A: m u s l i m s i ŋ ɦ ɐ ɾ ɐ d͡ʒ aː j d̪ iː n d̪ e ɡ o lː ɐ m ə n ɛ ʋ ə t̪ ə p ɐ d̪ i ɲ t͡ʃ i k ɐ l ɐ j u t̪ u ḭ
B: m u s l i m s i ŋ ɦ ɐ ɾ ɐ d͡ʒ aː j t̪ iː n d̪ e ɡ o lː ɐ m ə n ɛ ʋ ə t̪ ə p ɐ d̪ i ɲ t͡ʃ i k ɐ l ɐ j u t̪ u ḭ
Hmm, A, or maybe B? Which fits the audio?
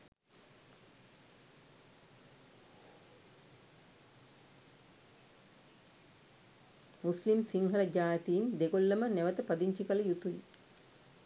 B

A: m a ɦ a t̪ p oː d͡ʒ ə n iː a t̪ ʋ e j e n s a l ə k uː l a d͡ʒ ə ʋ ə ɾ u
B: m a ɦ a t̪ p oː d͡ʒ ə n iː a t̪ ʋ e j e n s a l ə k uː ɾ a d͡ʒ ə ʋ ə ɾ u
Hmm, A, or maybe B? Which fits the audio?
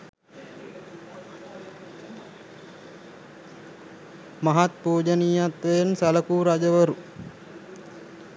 B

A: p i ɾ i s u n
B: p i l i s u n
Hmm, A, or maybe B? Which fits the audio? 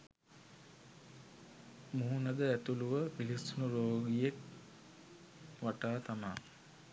B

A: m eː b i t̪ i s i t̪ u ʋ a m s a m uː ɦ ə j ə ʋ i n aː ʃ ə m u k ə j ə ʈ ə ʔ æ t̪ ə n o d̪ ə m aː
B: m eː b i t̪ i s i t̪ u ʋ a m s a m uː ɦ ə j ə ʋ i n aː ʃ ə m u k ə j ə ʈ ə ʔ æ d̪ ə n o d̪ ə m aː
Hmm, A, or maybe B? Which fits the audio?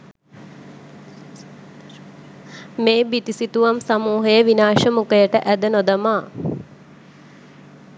B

